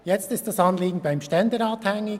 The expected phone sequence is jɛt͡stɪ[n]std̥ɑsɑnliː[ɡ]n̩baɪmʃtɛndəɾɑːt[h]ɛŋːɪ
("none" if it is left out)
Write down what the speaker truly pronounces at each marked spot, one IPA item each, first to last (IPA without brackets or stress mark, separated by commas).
none, ɡ, h